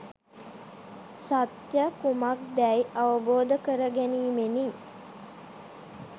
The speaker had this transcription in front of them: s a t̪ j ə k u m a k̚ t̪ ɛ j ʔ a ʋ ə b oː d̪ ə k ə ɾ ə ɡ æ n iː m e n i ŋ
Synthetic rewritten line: s a t̪ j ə k u m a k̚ d̪ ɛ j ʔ a ʋ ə b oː d̪ ə k ə ɾ ə ɡ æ n iː m e n i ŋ